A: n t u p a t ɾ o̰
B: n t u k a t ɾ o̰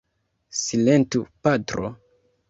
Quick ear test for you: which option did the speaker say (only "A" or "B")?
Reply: A